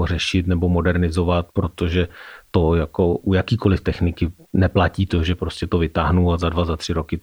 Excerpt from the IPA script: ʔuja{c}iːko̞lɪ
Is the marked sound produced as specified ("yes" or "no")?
no